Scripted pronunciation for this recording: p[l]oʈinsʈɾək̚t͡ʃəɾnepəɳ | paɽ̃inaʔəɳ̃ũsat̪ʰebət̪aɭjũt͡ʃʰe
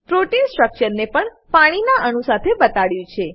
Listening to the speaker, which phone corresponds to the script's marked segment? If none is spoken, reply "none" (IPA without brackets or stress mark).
ɾ